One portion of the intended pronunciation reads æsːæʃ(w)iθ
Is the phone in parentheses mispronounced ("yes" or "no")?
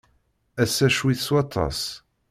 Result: no